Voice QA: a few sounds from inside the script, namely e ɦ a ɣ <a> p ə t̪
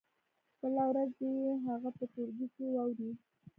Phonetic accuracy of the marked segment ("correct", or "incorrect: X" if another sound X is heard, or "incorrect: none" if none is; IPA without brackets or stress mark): correct